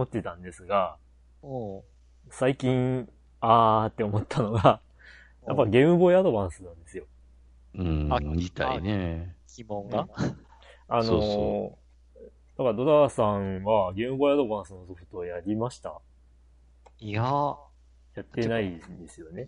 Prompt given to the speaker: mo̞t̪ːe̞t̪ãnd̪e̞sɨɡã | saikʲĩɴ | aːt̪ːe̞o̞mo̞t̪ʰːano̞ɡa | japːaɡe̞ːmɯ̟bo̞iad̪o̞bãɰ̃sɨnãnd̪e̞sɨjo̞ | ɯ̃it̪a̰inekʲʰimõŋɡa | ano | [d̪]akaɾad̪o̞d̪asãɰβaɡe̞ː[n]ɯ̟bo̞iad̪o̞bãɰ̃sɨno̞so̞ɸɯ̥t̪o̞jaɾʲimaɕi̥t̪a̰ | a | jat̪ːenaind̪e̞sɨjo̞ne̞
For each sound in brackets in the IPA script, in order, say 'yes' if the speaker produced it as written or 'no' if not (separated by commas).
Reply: yes, no